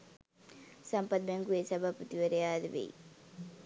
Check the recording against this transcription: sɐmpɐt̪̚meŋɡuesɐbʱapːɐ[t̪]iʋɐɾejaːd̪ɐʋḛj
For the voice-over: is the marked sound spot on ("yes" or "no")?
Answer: yes